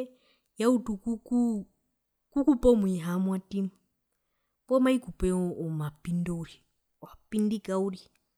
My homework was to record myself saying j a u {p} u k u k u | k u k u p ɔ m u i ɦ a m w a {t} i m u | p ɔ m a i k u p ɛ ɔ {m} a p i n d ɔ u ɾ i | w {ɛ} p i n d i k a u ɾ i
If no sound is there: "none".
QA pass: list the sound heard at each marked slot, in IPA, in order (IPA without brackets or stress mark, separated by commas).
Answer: t, t, m, a